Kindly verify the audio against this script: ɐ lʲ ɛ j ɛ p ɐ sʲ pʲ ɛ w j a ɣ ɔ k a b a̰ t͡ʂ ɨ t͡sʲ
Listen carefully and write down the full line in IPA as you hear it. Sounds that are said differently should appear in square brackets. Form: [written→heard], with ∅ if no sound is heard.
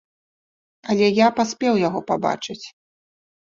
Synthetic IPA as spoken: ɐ lʲ ɛ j [ɛ→a] p [ɐ→a] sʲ pʲ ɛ w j a ɣ ɔ [k→p] a b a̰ t͡ʂ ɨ t͡sʲ